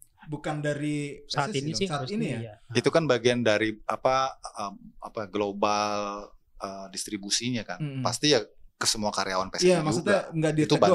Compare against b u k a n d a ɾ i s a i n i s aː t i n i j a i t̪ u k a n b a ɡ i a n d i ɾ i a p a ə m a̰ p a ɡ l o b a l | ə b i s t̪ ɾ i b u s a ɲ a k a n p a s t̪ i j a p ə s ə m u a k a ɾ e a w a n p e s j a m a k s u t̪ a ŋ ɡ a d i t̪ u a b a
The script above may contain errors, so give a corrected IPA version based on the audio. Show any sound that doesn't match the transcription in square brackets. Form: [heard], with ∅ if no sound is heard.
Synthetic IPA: b u k a n d a ɾ i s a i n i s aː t i n i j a i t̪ u k a n b a ɡ i a n d [a] ɾ i a p a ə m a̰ p a ɡ l o b a l | ə [d] i s t̪ ɾ i b u s [i] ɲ a k a n p a s t̪ i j a [k] ə s ə m u a k a ɾ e a w a n p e s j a m a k s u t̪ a ŋ ɡ a d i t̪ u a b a